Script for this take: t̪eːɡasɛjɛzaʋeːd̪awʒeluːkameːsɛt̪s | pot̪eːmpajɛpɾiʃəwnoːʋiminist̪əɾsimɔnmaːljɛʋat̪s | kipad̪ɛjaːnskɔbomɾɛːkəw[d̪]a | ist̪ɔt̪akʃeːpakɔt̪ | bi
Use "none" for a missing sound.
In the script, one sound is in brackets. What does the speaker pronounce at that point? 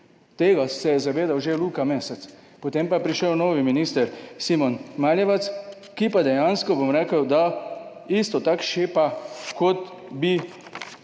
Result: d̪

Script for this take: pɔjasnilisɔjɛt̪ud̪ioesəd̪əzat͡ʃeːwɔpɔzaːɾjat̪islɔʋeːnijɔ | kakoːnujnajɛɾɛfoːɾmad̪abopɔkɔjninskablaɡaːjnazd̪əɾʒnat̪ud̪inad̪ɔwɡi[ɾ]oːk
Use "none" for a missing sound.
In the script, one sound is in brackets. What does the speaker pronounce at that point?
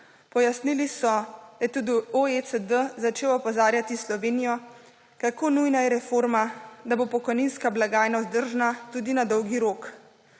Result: ɾ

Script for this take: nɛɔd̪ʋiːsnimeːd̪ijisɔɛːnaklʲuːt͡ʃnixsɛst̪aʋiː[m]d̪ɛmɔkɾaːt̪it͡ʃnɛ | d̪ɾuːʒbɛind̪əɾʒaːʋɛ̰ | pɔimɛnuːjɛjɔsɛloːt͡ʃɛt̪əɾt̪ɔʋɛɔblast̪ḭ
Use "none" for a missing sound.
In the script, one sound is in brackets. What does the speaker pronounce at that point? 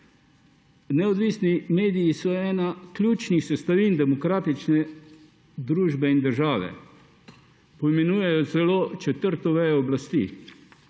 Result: n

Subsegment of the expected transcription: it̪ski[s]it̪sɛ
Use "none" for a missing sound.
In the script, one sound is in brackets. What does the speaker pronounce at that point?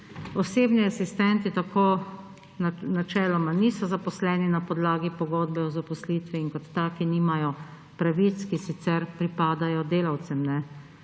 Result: s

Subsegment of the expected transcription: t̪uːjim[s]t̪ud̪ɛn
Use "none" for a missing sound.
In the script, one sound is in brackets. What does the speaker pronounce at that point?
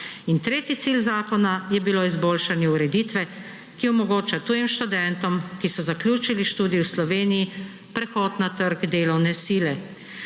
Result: ʃ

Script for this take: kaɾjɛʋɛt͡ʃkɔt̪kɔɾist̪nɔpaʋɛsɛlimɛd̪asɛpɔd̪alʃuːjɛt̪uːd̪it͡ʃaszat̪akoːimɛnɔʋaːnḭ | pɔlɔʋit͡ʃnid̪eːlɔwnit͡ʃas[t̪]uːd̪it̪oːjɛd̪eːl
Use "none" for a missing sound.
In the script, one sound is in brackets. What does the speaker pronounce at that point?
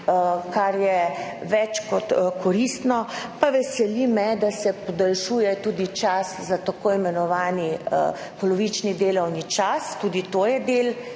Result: t̪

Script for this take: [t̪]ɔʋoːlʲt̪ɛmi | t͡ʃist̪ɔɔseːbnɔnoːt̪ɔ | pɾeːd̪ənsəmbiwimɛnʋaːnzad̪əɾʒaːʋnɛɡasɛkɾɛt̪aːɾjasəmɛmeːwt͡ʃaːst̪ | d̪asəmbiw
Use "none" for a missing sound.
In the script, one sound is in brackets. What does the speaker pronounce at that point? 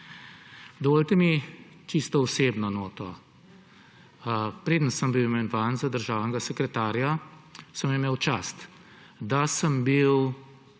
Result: d̪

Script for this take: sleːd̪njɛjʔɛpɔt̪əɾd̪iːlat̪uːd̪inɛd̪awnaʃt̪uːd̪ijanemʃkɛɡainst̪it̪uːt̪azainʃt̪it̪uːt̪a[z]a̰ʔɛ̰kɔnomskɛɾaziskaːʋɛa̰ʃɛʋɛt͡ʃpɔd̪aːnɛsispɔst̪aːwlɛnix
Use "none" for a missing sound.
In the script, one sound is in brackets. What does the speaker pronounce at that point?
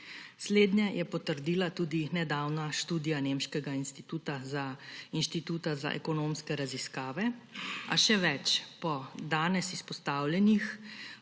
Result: z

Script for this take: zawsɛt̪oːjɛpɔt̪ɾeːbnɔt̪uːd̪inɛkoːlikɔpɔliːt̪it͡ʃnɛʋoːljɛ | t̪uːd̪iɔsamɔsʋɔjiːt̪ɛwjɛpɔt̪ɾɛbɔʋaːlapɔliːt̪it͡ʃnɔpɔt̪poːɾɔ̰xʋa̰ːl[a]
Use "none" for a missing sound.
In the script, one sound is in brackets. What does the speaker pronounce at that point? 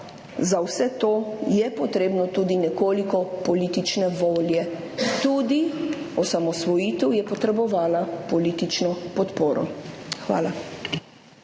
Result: a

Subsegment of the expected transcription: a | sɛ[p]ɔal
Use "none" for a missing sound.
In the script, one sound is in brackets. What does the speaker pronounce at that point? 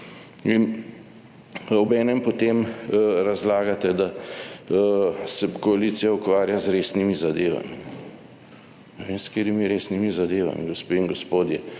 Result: k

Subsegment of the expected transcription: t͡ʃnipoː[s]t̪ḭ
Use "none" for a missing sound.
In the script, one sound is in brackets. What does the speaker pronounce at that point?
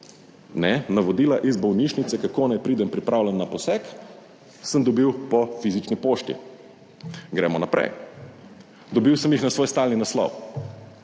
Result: ʃ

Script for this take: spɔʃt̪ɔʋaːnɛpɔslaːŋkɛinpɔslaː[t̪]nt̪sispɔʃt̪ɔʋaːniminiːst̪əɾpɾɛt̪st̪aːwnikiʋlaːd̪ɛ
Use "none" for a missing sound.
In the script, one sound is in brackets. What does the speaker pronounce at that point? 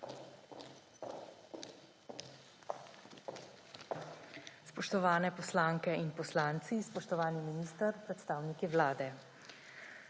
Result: none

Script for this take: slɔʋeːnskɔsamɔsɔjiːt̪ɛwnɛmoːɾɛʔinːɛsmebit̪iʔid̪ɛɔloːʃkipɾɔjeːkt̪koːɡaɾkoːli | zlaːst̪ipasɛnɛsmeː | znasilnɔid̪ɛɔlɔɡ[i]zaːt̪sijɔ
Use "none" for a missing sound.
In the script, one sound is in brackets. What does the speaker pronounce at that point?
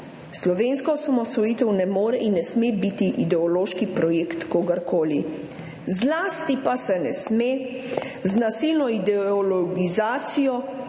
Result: i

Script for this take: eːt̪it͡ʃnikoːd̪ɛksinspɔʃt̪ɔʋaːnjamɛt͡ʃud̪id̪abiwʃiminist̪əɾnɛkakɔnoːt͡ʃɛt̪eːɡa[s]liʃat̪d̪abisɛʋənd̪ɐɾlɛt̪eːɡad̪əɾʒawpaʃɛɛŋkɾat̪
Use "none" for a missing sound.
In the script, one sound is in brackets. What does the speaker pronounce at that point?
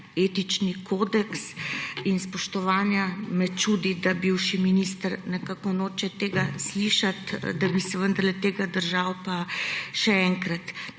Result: s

